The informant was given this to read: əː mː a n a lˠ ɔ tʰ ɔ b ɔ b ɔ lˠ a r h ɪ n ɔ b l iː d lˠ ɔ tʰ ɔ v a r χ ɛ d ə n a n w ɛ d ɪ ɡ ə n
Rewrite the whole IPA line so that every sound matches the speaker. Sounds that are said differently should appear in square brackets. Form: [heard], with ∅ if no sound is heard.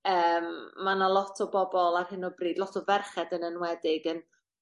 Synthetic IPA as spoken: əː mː a n a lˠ ɔ tʰ ɔ b ɔ b ɔ lˠ a r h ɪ n ɔ b [r] iː d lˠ ɔ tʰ ɔ v [ɛ] r χ ɛ d ə n [ə] n w ɛ d ɪ ɡ ə n